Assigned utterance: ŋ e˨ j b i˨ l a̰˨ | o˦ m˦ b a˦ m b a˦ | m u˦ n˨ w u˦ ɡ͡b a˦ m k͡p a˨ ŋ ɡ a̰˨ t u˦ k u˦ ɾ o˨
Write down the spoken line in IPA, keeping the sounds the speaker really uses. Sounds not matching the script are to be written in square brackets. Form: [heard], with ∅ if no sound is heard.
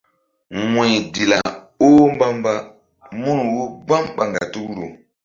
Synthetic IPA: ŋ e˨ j [d] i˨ l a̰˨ | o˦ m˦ b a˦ m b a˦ | m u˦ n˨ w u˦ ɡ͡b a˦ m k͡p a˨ ŋ ɡ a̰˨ t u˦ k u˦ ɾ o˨